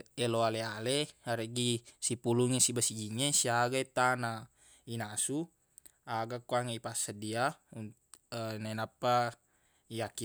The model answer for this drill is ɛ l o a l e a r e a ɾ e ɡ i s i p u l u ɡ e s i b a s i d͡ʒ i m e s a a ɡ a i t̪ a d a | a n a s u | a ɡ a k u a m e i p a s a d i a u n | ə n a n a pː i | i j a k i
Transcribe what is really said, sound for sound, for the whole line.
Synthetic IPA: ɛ l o a l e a l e a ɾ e ɡ i s i p u l u ŋ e s i b a s i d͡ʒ i ŋ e s i a ɡ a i t̪ a n a | i n a s u | a ɡ a k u a ŋ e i p a s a d i a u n | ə n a n a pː a | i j a k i